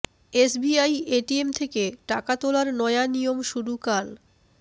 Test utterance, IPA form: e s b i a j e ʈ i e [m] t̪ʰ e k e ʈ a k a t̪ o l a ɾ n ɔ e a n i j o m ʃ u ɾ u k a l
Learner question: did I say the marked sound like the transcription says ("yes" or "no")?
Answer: yes